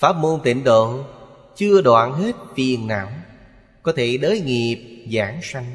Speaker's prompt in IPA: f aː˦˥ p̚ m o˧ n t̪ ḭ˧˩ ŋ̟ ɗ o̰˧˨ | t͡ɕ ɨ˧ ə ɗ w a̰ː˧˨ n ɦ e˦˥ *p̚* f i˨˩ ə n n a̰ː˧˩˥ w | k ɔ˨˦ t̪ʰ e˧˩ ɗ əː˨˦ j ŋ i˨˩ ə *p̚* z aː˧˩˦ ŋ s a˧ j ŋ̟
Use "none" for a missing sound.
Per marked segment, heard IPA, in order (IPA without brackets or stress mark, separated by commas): t̚, p̚